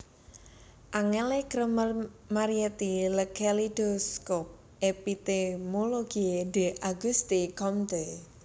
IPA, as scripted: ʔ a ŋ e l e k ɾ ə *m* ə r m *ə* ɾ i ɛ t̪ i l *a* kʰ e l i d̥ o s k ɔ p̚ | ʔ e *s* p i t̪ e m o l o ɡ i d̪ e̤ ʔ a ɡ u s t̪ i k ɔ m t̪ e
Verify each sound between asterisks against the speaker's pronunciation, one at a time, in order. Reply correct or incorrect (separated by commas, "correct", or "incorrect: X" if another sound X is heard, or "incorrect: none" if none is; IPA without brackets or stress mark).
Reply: correct, incorrect: a, incorrect: ə, incorrect: none